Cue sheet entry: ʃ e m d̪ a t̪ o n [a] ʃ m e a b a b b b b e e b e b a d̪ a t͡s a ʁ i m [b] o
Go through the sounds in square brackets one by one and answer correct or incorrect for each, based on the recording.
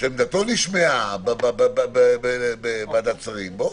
incorrect, correct

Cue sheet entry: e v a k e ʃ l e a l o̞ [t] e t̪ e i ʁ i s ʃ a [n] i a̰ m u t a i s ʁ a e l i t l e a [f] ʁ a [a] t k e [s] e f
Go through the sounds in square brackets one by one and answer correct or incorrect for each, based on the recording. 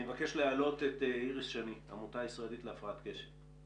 correct, correct, correct, correct, incorrect

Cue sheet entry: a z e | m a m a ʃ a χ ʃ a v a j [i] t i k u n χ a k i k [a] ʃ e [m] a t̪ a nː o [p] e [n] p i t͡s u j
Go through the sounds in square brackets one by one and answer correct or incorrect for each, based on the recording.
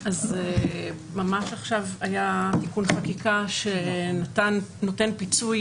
incorrect, correct, incorrect, incorrect, correct

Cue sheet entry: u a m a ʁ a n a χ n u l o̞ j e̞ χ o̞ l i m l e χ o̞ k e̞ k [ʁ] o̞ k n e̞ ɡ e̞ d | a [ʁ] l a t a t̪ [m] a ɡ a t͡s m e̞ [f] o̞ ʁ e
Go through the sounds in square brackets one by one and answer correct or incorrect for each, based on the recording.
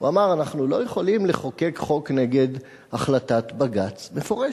incorrect, incorrect, incorrect, correct

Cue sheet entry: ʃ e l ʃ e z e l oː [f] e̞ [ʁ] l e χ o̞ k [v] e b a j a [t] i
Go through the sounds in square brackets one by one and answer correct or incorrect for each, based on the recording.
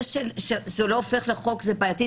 correct, incorrect, incorrect, correct

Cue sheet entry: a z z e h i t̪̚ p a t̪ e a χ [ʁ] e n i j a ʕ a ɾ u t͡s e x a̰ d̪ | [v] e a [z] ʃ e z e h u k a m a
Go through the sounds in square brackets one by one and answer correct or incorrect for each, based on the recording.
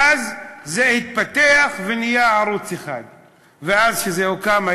incorrect, correct, correct

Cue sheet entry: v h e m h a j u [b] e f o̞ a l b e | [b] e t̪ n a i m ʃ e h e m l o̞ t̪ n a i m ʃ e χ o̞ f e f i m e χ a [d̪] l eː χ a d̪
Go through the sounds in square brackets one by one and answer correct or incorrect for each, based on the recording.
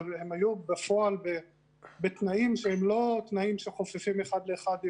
correct, correct, correct

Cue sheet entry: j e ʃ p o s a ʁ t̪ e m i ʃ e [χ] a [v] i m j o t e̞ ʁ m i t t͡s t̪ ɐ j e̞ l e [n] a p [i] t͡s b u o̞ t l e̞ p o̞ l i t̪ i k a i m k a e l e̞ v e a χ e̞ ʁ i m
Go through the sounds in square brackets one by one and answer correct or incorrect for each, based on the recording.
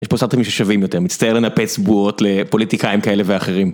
incorrect, correct, correct, incorrect

